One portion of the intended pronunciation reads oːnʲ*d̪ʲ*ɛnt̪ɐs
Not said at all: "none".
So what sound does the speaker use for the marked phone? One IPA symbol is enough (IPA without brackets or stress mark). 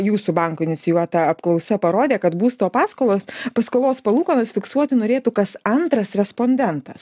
d̪ʲ